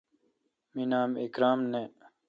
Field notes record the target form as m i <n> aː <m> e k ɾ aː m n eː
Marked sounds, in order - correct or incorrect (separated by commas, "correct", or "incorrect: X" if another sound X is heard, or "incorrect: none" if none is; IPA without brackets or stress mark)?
correct, correct